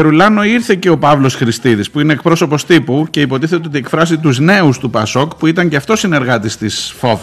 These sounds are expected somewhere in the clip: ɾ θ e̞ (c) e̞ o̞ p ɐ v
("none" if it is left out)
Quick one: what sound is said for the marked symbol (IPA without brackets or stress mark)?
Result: c